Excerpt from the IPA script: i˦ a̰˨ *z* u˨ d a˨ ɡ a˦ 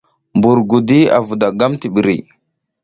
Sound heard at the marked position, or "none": v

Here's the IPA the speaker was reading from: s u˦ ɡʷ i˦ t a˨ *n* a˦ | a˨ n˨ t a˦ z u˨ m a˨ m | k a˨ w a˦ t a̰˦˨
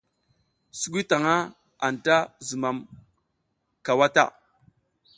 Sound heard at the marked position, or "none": ŋ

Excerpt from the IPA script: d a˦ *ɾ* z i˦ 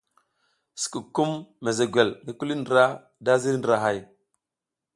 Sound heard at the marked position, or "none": none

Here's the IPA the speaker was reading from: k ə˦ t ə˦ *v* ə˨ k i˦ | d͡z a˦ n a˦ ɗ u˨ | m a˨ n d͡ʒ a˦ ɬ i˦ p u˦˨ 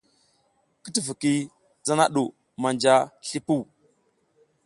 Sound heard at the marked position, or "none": v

